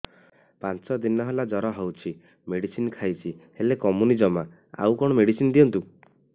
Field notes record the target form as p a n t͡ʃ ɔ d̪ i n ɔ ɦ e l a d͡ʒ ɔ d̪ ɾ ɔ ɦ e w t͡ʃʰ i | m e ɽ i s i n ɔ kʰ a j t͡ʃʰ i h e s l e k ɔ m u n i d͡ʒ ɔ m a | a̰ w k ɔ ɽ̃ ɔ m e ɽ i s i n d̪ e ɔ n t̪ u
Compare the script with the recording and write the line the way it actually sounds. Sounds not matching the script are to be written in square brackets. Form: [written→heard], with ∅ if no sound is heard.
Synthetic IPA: p a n t͡ʃ ɔ d̪ i n ɔ ɦ e l a d͡ʒ ɔ [d̪→∅] ɾ ɔ ɦ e w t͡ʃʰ i | m e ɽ i s i n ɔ kʰ a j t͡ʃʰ i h e [s→∅] l e k ɔ m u n i d͡ʒ ɔ m a | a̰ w k ɔ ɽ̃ ɔ m e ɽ i s i n d̪ [e→i] ɔ n t̪ u